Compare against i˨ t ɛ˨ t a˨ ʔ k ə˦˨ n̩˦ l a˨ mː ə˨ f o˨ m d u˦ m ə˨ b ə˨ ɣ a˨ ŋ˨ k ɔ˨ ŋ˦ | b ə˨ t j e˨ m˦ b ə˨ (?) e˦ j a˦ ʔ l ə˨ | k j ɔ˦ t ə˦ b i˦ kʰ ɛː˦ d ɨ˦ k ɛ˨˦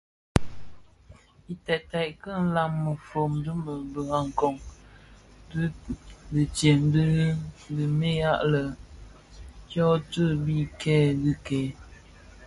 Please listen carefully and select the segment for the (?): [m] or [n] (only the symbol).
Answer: m